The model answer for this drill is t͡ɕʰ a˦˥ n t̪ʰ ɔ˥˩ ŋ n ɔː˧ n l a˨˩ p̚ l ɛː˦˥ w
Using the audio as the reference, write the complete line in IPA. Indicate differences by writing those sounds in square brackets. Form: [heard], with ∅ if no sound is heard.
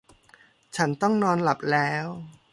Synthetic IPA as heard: t͡ɕʰ a˦˥ n [t̪] ɔ˥˩ ŋ n ɔː˧ n l a˨˩ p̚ l ɛː˦˥ w